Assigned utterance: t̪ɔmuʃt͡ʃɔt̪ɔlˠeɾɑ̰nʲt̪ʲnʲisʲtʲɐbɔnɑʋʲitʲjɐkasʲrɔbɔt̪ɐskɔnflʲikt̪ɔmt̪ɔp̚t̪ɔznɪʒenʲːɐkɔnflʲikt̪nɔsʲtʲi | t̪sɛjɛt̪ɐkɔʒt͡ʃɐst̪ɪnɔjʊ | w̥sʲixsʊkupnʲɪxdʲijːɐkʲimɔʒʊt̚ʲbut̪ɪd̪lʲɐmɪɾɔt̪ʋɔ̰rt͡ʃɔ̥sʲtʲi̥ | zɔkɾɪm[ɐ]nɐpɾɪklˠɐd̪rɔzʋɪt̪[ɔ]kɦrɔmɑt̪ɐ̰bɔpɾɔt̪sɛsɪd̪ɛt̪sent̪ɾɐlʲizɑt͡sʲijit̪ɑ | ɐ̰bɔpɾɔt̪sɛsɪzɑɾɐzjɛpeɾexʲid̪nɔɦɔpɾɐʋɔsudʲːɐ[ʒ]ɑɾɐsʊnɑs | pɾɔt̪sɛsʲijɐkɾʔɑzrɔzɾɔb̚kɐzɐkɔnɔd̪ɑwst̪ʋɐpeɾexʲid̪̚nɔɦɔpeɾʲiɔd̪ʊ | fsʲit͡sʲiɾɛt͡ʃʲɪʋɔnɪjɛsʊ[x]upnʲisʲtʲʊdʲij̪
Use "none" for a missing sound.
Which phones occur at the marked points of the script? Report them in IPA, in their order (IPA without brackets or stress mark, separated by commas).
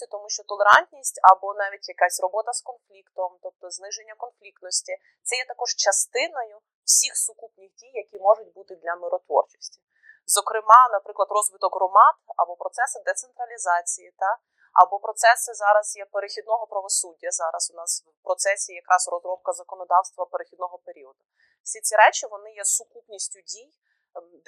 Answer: ɑ, ɔ, z, k